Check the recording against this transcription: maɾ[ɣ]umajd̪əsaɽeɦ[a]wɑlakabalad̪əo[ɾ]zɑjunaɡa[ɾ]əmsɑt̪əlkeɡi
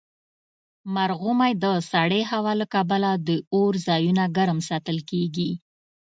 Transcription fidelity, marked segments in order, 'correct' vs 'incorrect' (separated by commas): correct, correct, correct, correct